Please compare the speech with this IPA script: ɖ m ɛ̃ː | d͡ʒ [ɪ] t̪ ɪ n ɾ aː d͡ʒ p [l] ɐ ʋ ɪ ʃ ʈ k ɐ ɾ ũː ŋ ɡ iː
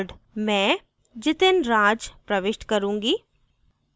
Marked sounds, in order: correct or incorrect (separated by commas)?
correct, incorrect